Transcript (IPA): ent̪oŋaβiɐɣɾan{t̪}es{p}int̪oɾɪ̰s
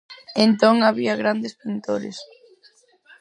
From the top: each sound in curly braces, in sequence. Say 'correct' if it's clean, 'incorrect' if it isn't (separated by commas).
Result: incorrect, correct